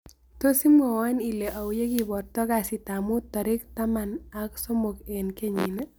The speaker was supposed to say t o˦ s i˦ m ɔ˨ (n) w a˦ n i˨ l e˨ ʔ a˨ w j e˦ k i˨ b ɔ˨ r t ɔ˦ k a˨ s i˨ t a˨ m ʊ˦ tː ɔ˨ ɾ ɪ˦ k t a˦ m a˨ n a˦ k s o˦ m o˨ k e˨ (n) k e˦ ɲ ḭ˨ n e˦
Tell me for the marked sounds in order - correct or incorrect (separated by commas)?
incorrect, correct